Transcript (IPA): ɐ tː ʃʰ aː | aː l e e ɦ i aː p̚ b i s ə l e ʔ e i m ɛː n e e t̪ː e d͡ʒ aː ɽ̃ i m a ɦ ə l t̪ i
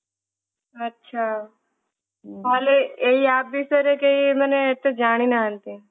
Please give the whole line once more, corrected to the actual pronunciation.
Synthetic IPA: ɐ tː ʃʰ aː | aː l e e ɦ i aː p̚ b i s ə ɾ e k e i m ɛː n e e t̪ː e d͡ʒ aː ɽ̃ i n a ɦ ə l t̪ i